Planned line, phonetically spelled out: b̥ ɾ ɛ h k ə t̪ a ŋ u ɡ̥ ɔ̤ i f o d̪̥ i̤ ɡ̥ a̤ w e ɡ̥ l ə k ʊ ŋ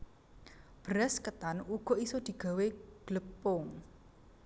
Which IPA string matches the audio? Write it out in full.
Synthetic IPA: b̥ ɾ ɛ s k ə t̪ a n u ɡ̥ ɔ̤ i s o d̪̥ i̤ ɡ̥ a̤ w e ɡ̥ l ə p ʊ ŋ